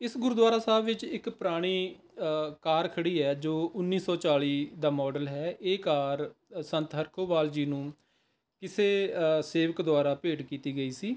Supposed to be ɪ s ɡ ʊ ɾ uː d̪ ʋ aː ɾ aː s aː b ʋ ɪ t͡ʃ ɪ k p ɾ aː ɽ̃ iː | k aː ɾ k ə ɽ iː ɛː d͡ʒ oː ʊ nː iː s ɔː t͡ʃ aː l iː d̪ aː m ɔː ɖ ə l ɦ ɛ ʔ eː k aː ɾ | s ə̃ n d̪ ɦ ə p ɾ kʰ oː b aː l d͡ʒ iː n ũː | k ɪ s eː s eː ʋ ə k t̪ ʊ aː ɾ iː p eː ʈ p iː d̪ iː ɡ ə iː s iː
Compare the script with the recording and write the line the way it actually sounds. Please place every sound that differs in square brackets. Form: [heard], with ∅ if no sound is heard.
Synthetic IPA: ɪ s ɡ ʊ ɾ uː d̪ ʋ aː ɾ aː s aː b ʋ ɪ t͡ʃ ɪ k p ɾ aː ɽ̃ iː | k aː ɾ [kʰ] ə ɽ iː ɛː d͡ʒ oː ʊ nː iː s ɔː t͡ʃ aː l iː d̪ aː m ɔː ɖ ə l ɦ [ɛː] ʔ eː k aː ɾ | s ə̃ n [t̪] ɦ ə [∅] ɾ kʰ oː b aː l d͡ʒ iː n ũː | k ɪ s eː s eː ʋ ə k [d̪] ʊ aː ɾ [aː] p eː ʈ [k] iː [t̪] iː ɡ ə iː s iː